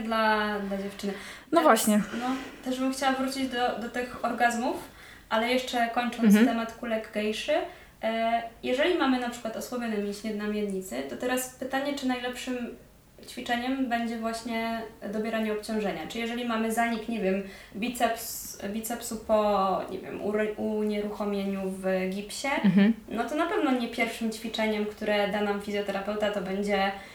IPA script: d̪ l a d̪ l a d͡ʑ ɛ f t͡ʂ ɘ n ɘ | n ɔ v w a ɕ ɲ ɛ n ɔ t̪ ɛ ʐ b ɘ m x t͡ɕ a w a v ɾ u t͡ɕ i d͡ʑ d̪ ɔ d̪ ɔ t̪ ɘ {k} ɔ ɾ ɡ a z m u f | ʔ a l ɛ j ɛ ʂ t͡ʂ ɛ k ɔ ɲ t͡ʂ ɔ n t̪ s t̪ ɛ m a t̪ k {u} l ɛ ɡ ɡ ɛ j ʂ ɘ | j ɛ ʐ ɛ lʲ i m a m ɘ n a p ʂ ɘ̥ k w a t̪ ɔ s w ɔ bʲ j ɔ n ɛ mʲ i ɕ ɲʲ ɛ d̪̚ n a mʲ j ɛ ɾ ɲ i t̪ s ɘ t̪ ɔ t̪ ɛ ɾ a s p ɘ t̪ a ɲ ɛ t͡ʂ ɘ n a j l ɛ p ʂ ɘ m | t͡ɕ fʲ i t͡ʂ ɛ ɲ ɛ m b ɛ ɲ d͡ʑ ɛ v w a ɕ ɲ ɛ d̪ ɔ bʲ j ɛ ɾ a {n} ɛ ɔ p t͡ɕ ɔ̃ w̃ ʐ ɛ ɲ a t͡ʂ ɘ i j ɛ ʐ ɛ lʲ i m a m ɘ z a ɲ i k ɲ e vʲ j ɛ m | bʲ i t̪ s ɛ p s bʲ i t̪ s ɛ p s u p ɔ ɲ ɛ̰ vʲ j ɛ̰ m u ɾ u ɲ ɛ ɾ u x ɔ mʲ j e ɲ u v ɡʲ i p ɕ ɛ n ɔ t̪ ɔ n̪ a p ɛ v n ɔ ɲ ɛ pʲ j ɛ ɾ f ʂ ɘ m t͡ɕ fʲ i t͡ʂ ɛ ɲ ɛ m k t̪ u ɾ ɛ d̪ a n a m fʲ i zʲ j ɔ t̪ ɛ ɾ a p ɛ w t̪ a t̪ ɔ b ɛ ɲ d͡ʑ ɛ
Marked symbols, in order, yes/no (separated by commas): no, yes, no